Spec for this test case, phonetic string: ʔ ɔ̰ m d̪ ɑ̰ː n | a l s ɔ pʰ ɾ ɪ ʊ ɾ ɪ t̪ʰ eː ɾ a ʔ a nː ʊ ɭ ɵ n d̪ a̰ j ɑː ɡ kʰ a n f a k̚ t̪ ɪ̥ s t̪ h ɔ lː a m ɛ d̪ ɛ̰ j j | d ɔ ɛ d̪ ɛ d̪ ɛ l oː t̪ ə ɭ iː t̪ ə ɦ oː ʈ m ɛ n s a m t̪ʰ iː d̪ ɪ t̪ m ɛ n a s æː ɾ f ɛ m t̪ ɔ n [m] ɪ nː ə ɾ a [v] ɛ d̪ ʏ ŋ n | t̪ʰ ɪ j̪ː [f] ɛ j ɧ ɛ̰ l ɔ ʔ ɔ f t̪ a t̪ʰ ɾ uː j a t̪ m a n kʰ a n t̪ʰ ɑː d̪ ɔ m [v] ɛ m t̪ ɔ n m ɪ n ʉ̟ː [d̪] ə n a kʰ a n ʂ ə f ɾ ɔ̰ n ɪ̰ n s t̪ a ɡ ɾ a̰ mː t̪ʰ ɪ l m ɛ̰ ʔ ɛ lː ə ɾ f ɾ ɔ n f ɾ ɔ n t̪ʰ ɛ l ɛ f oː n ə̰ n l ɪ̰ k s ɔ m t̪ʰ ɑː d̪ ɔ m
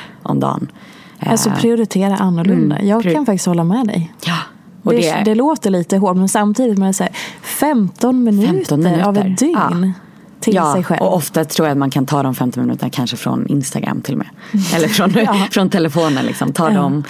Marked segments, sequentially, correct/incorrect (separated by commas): correct, correct, incorrect, incorrect, incorrect